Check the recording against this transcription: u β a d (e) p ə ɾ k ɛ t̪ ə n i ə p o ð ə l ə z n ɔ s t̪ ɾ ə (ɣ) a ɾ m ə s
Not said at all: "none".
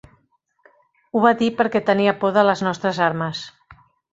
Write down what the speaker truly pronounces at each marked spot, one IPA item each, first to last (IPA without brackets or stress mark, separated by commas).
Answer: i, z